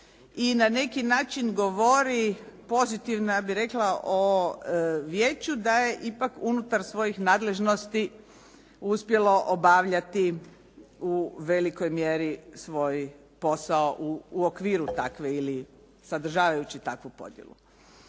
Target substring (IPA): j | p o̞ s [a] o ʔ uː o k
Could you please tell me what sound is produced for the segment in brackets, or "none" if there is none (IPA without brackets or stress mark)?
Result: a